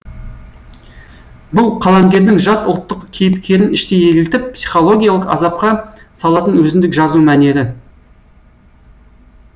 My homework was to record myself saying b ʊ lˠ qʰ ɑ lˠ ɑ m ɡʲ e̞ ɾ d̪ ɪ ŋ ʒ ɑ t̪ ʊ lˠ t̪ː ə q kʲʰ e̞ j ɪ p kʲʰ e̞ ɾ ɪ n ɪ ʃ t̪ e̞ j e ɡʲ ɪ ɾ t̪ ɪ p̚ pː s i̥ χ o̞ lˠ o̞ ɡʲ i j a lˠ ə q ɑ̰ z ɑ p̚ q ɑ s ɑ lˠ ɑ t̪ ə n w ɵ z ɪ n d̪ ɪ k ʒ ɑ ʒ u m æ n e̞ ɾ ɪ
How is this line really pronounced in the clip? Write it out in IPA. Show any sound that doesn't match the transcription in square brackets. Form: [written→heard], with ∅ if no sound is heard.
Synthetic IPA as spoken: b ʊ lˠ qʰ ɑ lˠ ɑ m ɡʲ e̞ ɾ d̪ ɪ ŋ ʒ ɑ t̪ ʊ lˠ t̪ː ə q kʲʰ e̞ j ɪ p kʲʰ e̞ ɾ ɪ n ɪ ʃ t̪ e̞ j e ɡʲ ɪ [ɾ→l] t̪ ɪ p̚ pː s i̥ χ o̞ lˠ o̞ ɡʲ i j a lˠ ə q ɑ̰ z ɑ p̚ q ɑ s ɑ lˠ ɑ t̪ ə n w ɵ z ɪ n d̪ ɪ k ʒ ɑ [ʒ→z] u m æ n e̞ ɾ ɪ